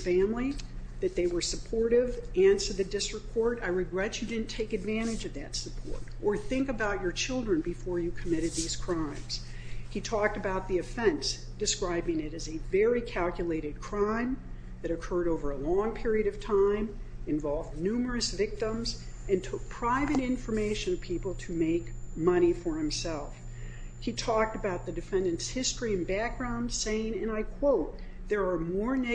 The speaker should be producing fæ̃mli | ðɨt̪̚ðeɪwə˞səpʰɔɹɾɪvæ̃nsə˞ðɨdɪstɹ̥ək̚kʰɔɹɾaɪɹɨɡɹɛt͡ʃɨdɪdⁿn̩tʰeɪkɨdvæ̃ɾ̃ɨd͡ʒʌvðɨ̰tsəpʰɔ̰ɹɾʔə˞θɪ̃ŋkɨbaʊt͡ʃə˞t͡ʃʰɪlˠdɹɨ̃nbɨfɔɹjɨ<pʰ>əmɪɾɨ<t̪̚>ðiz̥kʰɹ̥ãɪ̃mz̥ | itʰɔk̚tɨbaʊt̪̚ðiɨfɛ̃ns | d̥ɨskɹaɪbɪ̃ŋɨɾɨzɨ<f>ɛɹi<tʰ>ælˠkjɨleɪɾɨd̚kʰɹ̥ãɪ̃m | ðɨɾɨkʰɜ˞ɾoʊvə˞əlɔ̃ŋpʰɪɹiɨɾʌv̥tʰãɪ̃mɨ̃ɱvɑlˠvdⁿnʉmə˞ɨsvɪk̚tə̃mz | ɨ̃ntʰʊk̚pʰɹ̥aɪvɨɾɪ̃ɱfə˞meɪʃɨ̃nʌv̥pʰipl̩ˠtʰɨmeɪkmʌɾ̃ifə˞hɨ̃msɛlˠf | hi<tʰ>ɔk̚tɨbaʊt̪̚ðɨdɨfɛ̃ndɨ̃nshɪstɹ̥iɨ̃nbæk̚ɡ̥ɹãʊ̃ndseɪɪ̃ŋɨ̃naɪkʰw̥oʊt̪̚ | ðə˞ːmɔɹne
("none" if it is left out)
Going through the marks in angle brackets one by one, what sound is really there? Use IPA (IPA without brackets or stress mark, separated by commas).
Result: kʰ, d̪̚, v, kʰ, tʰ